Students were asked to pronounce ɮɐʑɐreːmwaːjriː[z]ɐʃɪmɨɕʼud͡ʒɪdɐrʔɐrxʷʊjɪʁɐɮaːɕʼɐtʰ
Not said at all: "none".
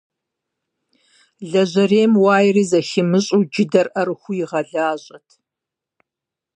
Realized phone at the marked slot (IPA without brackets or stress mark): z